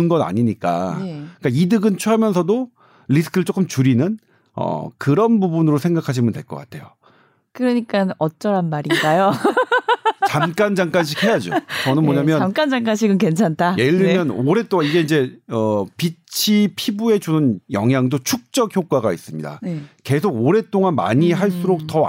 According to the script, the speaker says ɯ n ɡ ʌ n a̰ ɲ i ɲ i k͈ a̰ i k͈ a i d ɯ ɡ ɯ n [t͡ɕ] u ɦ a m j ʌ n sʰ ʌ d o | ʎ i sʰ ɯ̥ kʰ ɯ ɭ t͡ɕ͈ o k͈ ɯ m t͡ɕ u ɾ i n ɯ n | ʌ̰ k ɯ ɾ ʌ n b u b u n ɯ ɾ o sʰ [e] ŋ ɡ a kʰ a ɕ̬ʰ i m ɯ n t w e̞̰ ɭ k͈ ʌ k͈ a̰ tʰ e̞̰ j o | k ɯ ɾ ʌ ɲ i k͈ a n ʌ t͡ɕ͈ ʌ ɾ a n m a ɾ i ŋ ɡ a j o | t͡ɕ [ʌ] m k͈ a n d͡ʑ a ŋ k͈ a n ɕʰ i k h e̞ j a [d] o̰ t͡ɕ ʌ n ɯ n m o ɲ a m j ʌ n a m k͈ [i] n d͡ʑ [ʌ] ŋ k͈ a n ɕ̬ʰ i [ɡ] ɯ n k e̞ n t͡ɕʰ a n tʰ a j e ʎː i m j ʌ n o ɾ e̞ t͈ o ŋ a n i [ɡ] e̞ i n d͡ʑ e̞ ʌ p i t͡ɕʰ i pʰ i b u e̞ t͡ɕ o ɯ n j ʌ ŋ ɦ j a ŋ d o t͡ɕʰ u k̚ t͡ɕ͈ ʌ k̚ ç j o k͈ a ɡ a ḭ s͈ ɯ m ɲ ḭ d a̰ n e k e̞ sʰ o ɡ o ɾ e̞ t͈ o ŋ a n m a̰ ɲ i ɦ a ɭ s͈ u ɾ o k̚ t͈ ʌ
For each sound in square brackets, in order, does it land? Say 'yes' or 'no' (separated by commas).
no, yes, no, no, no, no, yes, yes